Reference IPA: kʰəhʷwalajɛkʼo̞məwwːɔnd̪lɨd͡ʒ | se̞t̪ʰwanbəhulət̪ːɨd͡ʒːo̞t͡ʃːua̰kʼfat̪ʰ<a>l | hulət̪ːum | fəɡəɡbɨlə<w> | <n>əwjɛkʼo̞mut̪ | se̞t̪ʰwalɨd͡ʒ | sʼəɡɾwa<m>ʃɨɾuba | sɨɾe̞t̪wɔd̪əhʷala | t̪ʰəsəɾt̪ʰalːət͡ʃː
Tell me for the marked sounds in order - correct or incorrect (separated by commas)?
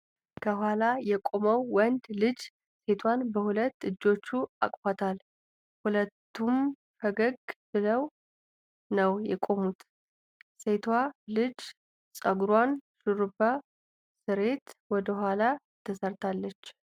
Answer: correct, correct, correct, incorrect